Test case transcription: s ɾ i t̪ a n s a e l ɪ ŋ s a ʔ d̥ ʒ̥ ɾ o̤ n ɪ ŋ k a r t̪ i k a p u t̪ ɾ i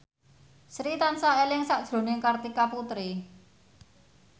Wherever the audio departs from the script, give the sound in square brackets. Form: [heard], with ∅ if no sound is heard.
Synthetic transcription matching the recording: s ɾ i t̪ a n s a e l ɪ ŋ s a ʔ d̥ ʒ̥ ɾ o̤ n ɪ ŋ k a r t̪ i k a p u t̪ ɾ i